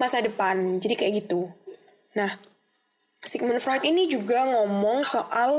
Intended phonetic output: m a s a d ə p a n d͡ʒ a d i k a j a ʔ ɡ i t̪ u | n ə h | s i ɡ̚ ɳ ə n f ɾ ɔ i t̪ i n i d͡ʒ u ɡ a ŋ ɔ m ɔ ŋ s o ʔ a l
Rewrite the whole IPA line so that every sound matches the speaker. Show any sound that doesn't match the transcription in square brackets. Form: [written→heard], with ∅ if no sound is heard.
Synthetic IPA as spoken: m a s a d ə p a n d͡ʒ a d i k a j a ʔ ɡ i t̪ u | n [ə→a] h | s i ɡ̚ [ɳ→m] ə n f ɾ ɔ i t̪ i n i d͡ʒ u ɡ a ŋ ɔ m ɔ ŋ s o ʔ a l